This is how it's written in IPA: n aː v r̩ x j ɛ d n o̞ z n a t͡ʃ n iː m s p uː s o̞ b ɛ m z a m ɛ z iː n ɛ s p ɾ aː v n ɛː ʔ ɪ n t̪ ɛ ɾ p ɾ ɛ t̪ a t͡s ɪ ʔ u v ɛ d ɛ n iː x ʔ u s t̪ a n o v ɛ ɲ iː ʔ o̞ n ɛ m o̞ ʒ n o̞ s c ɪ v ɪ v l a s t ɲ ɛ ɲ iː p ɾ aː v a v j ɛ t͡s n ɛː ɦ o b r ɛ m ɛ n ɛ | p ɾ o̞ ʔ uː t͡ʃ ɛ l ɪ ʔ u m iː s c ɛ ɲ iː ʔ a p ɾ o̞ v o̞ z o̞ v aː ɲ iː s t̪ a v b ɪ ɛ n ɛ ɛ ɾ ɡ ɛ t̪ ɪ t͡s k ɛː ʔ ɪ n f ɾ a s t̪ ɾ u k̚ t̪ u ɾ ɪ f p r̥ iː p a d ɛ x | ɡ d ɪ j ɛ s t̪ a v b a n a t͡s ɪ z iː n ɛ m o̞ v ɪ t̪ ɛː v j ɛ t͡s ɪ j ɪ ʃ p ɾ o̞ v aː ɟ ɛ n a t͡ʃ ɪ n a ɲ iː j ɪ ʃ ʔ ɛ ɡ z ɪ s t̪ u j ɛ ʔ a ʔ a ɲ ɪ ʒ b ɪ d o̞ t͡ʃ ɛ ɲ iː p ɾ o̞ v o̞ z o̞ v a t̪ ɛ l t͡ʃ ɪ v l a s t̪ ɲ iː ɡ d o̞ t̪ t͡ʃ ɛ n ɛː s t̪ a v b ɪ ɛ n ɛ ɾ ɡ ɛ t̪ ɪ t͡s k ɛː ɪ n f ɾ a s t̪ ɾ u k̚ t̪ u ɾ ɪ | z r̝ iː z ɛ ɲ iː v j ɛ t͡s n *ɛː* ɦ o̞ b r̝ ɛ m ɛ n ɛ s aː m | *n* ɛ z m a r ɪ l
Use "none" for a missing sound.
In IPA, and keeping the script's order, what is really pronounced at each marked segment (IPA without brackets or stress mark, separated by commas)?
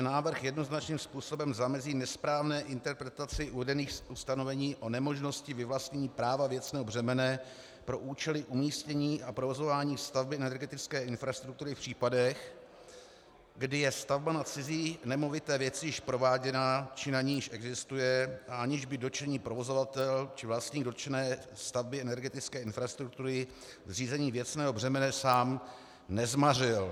ɛː, n